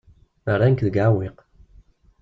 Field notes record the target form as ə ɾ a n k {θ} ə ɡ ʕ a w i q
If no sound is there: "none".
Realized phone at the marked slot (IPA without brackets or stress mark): ð